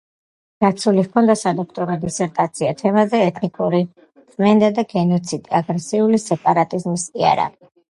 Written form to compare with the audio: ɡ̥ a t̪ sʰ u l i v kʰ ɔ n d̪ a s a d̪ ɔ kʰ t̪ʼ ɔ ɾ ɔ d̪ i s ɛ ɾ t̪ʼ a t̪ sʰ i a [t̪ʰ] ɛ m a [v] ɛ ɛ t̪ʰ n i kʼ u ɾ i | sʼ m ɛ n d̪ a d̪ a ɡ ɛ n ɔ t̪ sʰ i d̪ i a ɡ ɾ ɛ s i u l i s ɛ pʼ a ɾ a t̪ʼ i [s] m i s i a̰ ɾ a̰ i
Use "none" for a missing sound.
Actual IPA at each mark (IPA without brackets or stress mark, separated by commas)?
t̪ʰ, z, z